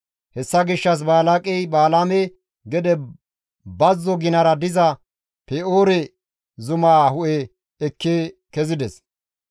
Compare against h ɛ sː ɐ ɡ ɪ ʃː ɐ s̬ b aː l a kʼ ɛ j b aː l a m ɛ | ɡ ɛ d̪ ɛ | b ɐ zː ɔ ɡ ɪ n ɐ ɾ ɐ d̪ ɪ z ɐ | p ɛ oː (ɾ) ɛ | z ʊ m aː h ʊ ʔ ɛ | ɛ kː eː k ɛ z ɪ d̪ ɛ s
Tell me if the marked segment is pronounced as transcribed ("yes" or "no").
yes